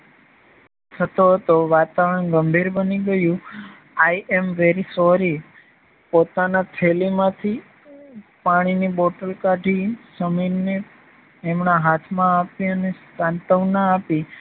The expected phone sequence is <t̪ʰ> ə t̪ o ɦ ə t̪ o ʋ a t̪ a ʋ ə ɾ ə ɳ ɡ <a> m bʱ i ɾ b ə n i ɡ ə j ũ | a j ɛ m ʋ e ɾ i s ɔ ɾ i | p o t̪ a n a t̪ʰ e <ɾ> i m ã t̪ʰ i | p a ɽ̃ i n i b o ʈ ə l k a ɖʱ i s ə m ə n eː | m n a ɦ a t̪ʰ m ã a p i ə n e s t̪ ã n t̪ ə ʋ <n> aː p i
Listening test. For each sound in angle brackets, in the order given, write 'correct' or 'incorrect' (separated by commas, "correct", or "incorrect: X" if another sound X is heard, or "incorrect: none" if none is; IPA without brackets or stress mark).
correct, incorrect: ə, incorrect: l, correct